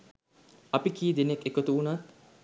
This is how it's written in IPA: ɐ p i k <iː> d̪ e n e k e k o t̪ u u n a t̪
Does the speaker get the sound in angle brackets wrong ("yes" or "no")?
no